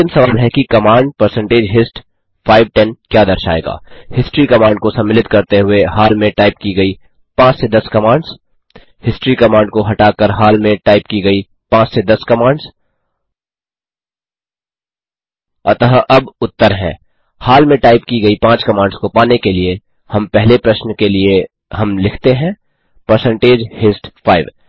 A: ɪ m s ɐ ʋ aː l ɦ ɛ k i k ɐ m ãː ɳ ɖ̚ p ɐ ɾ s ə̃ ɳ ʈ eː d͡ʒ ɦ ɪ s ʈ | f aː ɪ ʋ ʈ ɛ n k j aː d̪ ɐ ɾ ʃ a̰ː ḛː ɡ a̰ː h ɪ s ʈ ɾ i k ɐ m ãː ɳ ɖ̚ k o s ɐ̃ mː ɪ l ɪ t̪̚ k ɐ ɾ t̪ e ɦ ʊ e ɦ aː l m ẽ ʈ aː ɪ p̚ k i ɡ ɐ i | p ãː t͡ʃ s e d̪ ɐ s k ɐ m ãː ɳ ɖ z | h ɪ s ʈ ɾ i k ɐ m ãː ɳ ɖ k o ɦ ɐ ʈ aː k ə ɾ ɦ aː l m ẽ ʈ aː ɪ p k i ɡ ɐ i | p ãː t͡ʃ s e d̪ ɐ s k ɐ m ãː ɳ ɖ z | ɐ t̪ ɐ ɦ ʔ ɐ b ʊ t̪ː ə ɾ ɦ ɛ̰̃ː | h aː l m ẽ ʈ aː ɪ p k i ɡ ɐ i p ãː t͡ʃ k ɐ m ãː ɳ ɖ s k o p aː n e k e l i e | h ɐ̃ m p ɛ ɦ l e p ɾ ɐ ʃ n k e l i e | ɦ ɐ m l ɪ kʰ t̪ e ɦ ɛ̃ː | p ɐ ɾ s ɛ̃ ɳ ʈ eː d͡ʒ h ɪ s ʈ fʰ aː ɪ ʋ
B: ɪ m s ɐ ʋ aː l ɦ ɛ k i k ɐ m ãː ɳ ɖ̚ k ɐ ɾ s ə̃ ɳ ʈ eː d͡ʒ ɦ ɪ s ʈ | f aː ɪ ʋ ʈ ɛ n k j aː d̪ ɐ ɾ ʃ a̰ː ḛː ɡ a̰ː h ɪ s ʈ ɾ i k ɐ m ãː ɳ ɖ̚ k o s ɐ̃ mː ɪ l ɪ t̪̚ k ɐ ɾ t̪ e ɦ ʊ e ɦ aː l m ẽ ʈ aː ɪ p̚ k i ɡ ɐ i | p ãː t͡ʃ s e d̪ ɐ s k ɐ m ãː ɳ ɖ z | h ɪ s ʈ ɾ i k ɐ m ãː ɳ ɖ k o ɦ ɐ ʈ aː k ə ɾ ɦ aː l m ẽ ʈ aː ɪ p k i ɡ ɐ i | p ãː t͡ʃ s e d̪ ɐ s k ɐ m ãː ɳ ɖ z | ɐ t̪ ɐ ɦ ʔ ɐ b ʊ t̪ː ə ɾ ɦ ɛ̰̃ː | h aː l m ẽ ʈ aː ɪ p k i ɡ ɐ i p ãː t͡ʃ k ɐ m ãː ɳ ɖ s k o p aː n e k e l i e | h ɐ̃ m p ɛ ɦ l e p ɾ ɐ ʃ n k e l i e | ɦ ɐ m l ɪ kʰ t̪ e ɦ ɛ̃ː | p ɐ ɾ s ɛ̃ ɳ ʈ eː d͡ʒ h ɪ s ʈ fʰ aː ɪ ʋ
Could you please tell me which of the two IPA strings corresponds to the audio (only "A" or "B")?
A